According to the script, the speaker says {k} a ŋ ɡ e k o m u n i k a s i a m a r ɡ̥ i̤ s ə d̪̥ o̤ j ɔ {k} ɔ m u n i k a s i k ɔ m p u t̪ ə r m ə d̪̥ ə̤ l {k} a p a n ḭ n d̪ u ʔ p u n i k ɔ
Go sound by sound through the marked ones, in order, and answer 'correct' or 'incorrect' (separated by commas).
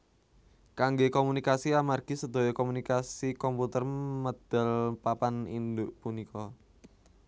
correct, correct, incorrect